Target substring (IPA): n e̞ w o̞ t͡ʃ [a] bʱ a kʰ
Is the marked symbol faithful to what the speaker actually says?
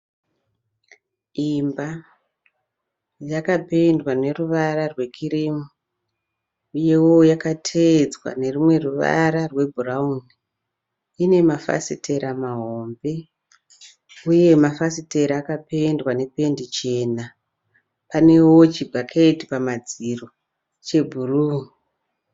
no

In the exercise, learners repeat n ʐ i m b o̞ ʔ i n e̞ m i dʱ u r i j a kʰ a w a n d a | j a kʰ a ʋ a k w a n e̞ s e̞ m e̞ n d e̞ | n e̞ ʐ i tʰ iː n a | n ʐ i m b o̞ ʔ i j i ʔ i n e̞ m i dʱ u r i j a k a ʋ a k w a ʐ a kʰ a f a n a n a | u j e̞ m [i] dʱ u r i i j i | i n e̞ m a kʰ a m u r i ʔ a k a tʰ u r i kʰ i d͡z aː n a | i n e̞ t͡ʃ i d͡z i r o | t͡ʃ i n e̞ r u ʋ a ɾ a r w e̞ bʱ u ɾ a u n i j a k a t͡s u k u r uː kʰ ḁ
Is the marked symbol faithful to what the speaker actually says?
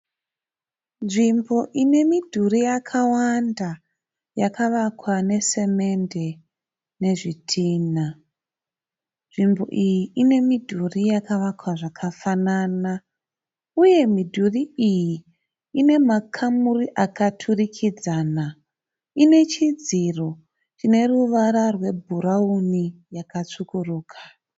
yes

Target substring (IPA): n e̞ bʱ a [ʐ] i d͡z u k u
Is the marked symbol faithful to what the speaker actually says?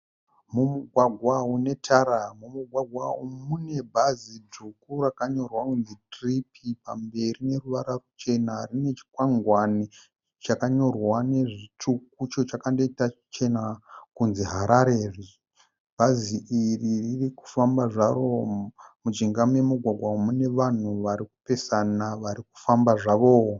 no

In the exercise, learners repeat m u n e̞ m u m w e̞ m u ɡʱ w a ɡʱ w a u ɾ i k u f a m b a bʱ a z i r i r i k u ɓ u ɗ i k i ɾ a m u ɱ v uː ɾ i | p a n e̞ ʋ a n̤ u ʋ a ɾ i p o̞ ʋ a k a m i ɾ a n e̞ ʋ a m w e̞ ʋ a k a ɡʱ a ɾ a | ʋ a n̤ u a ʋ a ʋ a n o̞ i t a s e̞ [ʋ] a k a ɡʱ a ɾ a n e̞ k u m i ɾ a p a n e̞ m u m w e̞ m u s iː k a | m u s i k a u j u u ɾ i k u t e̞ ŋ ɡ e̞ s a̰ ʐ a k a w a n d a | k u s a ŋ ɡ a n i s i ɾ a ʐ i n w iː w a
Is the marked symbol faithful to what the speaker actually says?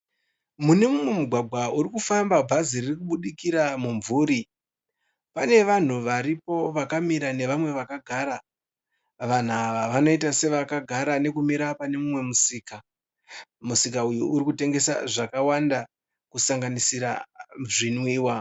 yes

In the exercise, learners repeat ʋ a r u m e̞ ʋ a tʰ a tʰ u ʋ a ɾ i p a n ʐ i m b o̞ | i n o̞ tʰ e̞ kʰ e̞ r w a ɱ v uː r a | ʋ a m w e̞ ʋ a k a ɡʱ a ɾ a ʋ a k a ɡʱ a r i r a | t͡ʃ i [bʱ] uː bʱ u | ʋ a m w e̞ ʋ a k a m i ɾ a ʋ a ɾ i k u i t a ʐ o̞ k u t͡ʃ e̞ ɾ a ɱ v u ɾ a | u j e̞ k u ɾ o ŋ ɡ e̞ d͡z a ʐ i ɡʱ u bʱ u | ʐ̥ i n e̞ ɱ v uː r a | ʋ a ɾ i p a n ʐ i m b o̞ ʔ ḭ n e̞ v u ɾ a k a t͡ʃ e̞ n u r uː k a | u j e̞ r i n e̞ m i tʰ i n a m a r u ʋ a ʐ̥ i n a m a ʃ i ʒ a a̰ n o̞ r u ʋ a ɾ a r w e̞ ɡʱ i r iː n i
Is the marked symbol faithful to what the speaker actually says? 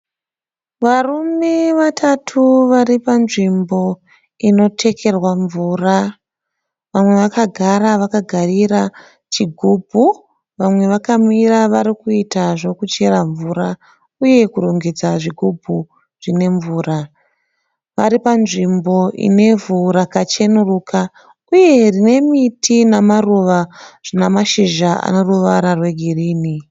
no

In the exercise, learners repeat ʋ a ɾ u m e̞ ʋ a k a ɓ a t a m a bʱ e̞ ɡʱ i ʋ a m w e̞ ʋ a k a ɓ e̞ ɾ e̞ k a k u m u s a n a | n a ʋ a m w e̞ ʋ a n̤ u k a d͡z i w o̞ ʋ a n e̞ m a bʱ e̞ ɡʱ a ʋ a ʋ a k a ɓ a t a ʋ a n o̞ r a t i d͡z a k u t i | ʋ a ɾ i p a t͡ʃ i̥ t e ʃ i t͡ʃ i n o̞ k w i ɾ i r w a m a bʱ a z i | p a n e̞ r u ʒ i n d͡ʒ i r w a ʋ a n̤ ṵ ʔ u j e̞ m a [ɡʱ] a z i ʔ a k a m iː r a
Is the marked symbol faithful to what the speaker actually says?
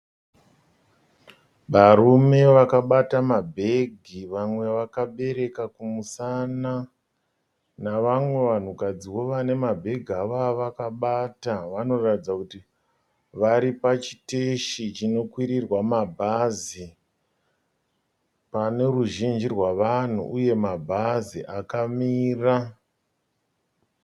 no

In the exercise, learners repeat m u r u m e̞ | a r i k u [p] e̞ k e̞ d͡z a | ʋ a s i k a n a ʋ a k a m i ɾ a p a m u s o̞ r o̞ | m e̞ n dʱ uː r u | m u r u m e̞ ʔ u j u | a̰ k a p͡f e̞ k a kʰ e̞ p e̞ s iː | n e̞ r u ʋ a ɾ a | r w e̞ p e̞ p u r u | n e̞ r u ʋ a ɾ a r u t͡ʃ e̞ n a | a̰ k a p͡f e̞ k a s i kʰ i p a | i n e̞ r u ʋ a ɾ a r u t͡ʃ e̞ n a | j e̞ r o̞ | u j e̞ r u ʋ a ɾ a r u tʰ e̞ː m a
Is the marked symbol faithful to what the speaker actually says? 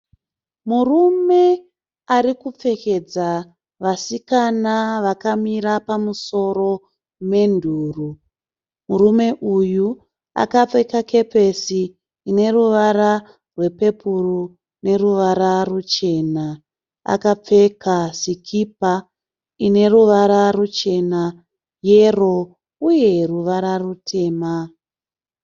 no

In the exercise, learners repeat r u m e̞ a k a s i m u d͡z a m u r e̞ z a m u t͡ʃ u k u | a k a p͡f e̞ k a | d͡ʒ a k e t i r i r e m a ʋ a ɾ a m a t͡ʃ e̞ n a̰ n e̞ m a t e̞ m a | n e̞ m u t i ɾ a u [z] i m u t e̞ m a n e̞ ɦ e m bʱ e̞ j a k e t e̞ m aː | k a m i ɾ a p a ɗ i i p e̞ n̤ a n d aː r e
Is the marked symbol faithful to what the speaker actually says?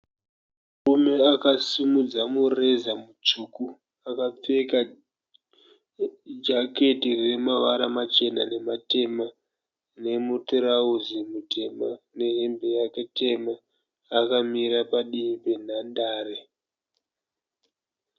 yes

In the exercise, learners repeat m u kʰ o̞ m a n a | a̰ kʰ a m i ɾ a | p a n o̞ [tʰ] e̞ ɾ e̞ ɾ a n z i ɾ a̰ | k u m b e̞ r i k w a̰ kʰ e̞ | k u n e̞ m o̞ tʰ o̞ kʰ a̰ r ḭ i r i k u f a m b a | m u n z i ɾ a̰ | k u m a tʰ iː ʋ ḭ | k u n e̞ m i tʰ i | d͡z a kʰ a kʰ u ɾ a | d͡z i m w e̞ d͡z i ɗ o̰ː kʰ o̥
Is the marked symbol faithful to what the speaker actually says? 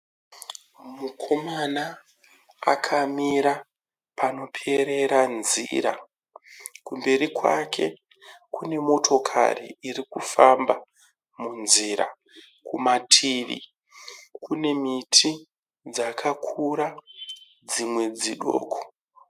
no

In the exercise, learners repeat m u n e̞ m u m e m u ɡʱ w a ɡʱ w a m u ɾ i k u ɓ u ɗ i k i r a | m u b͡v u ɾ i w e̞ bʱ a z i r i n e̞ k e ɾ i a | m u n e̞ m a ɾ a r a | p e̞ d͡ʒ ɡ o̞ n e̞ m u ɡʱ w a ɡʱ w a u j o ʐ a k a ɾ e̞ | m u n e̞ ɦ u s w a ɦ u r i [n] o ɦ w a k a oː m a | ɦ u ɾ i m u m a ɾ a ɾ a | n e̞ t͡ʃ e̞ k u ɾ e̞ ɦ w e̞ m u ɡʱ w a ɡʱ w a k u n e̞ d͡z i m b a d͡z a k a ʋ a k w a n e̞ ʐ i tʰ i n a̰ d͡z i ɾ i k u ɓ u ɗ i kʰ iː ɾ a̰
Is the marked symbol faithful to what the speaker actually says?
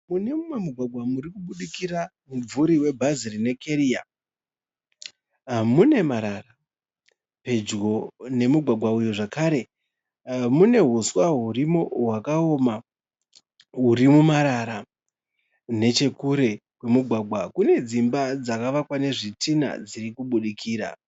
no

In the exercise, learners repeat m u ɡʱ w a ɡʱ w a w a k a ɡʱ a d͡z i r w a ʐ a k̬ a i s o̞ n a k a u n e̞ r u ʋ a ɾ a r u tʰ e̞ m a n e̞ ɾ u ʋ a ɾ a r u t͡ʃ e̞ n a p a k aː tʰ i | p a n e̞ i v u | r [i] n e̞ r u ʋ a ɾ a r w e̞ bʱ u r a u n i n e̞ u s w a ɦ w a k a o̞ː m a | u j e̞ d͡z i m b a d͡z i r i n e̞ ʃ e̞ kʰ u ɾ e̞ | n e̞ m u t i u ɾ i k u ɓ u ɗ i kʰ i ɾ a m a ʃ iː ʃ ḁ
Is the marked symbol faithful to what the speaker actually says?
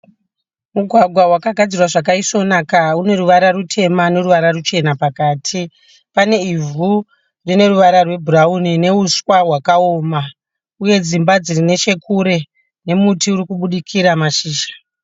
yes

